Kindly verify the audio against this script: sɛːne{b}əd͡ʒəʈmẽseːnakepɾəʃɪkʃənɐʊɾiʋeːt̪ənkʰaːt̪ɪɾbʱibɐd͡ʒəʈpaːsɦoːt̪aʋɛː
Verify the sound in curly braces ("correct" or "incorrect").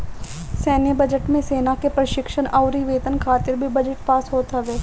correct